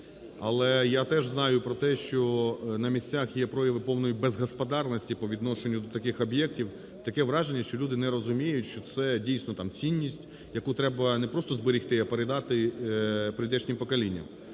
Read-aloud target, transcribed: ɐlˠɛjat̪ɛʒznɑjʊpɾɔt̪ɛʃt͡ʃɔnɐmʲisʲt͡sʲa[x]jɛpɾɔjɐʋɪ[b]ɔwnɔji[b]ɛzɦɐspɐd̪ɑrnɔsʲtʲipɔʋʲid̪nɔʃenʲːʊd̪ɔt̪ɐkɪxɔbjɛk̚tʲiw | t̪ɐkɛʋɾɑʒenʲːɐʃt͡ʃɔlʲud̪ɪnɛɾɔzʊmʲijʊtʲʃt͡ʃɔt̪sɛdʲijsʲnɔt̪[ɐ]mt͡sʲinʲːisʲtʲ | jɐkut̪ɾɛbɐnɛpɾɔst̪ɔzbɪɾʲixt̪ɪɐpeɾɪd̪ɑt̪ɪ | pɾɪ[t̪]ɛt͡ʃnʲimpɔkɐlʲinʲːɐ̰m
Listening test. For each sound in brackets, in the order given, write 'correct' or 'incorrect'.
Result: correct, incorrect: p, correct, incorrect: ɑ, incorrect: d̪

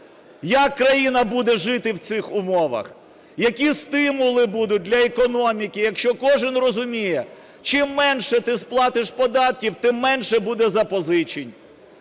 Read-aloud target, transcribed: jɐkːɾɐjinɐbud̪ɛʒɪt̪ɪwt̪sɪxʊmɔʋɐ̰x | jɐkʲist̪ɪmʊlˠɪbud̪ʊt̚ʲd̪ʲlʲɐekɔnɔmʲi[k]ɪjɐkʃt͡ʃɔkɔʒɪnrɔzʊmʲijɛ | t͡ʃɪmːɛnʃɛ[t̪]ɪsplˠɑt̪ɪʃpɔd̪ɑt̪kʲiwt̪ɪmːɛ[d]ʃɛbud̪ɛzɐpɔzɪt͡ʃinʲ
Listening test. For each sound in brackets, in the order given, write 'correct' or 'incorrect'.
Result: correct, correct, incorrect: n

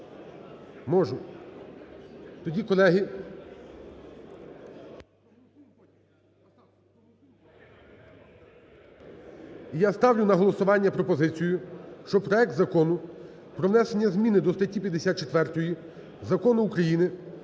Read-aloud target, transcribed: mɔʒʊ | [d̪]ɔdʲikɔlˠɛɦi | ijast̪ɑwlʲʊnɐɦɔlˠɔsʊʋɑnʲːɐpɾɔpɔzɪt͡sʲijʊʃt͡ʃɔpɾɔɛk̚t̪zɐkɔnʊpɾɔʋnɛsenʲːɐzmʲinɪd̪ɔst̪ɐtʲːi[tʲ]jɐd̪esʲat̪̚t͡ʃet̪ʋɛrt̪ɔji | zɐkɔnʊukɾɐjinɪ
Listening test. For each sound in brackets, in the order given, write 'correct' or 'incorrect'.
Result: incorrect: t̪, incorrect: pʲ

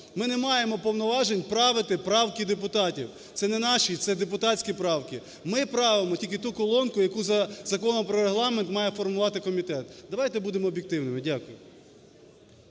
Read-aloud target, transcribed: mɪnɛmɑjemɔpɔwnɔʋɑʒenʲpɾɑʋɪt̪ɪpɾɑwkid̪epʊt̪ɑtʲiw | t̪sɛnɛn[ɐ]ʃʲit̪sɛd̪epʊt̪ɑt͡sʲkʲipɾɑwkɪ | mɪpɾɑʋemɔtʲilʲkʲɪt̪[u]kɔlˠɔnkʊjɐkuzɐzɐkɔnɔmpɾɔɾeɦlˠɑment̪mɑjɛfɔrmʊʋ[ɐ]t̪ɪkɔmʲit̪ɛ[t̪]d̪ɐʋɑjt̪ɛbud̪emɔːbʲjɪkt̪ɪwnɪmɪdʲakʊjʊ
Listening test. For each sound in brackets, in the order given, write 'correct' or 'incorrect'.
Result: incorrect: ɑ, correct, incorrect: ɑ, correct

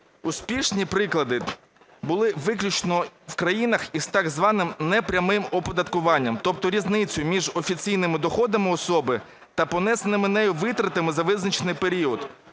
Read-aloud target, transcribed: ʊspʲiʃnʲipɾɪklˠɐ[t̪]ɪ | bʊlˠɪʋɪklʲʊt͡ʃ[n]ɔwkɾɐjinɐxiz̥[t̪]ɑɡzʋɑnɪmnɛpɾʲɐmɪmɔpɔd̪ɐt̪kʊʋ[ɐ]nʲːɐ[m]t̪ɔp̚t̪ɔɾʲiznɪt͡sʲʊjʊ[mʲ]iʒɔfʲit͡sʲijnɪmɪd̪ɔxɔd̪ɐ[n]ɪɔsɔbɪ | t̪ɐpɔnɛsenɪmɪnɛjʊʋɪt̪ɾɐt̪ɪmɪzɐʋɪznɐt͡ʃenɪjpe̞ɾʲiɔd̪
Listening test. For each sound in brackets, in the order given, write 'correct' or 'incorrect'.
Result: incorrect: d̪, correct, correct, incorrect: ɑ, correct, correct, incorrect: m

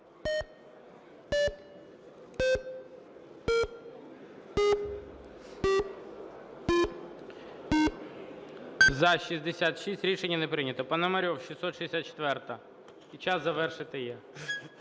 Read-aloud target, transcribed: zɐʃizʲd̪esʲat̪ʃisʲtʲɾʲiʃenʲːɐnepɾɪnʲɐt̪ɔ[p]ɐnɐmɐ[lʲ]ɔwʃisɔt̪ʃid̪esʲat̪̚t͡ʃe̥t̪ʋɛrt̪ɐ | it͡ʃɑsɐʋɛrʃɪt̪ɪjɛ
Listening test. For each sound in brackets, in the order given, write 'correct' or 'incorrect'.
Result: correct, incorrect: ɾʲ

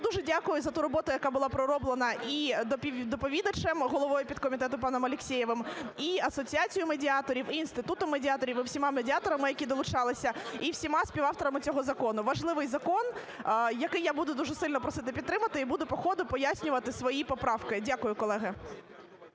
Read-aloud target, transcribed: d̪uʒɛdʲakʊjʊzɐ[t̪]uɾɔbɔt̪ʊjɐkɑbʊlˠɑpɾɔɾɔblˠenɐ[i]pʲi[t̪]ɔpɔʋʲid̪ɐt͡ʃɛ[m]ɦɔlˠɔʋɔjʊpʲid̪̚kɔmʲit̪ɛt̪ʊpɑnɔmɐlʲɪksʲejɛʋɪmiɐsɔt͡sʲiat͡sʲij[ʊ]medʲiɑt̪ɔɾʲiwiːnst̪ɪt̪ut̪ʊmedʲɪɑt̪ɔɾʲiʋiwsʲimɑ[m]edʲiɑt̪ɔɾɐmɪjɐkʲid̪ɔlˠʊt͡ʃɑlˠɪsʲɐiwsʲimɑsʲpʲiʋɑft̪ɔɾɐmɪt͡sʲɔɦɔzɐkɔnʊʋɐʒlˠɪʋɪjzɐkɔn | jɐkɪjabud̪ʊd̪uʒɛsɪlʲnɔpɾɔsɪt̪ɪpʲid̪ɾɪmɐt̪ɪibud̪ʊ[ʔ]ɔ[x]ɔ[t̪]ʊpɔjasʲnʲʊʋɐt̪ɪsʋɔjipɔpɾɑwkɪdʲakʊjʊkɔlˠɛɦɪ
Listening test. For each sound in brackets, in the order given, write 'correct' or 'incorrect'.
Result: correct, correct, incorrect: d̪, correct, correct, correct, incorrect: p, correct, incorrect: d̪

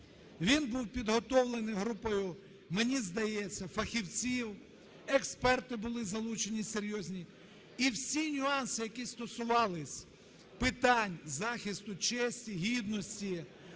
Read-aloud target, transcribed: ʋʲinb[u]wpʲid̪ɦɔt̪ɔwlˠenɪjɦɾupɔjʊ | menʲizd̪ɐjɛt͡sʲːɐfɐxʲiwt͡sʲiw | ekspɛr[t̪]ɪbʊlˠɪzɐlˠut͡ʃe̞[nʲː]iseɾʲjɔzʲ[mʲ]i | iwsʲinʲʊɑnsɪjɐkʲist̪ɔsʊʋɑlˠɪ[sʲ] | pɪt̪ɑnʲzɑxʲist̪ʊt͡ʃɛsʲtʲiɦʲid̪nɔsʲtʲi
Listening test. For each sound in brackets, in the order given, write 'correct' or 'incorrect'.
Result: correct, correct, incorrect: nʲ, incorrect: nʲ, correct

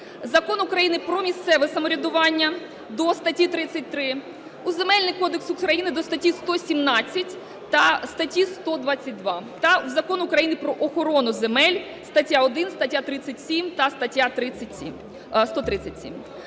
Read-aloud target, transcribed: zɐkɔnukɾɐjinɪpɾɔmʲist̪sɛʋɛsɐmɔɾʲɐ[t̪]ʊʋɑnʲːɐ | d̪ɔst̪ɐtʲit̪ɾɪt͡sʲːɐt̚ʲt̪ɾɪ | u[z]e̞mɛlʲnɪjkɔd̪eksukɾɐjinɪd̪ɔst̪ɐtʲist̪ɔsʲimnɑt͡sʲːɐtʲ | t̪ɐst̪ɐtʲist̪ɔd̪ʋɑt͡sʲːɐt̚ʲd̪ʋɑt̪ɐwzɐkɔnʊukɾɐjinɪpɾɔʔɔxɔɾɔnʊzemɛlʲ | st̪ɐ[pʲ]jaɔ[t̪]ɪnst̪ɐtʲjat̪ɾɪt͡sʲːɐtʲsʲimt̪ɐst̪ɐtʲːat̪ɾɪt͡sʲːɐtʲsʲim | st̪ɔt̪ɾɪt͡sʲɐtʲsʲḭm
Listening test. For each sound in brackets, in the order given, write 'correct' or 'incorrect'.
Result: incorrect: d̪, correct, incorrect: tʲ, incorrect: d̪

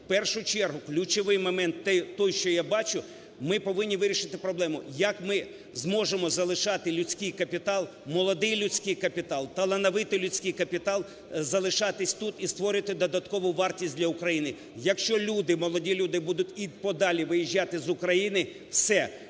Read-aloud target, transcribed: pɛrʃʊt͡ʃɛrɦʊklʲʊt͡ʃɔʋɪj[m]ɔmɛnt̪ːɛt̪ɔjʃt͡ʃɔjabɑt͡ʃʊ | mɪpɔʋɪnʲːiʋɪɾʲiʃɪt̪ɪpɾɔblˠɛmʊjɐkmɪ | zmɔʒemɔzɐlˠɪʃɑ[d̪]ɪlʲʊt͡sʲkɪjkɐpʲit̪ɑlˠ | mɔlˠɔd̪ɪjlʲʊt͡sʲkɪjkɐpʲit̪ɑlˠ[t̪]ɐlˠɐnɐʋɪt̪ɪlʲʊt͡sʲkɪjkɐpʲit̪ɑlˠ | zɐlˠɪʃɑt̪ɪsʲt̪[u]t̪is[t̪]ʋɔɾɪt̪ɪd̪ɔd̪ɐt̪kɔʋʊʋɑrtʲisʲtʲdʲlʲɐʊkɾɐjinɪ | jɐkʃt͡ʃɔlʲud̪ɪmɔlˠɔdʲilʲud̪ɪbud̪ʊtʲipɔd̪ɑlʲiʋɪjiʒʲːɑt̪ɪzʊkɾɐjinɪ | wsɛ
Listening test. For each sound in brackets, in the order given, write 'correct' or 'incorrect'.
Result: correct, incorrect: t̪, correct, correct, correct

